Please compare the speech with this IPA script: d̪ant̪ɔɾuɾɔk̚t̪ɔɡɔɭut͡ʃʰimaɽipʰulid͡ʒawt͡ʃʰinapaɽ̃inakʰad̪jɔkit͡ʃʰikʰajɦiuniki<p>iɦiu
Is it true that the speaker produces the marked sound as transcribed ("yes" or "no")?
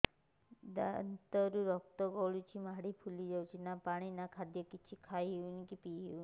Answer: yes